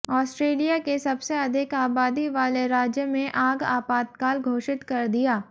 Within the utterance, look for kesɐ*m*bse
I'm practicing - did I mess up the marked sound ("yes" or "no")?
yes